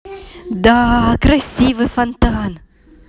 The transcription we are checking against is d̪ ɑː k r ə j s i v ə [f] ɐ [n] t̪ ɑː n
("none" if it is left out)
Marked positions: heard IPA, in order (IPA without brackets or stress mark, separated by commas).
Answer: f, n